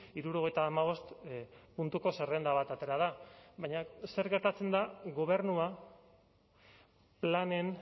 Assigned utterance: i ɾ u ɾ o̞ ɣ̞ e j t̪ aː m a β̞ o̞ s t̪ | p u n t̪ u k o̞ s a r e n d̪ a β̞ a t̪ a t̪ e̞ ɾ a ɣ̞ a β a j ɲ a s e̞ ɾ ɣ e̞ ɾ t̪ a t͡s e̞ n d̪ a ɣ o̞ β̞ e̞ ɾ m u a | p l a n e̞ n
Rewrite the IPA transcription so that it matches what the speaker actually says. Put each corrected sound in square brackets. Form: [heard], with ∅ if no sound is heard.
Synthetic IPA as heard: i ɾ u ɾ o̞ ɣ̞ e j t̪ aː m a β̞ o̞ s t̪ | p u n t̪ u k o̞ s [e] r e n d̪ a β̞ a t̪ a t̪ e̞ ɾ a [ð̞] a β a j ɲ a s e̞ ɾ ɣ e̞ ɾ t̪ a t͡s e̞ n d̪ a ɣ o̞ β̞ e̞ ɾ [n] u a | p l a n e̞ n